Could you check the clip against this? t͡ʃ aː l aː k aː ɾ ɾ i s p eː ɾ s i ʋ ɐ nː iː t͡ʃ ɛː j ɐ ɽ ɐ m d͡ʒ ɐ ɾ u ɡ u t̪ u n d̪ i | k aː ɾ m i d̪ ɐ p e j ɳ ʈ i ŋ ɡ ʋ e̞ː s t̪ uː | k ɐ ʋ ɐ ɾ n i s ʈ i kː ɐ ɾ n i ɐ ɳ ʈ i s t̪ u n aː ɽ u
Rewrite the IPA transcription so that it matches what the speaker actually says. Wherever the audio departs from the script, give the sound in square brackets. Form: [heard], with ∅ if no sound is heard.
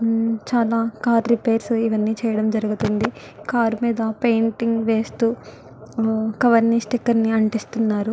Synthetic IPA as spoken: t͡ʃ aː l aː k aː ɾ ɾ i [∅] p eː ɾ s i ʋ ɐ nː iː t͡ʃ ɛː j ɐ ɽ ɐ m d͡ʒ ɐ ɾ u ɡ u t̪ u n d̪ i | k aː ɾ m [iː] d̪ ɐ p e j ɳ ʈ i ŋ ɡ ʋ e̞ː s t̪ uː | k ɐ ʋ ɐ ɾ n i s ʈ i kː ɐ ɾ n i ɐ ɳ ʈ i s t̪ u [nː] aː [ɾ] u